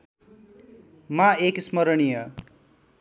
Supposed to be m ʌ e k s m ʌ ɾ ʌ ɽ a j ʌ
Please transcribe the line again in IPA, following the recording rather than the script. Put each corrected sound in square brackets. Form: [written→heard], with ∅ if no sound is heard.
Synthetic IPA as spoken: m [ʌ→a] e k s m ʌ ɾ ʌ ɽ [a→i] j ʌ